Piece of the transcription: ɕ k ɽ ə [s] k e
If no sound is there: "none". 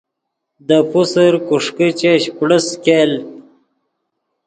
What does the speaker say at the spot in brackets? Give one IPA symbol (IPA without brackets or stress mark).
s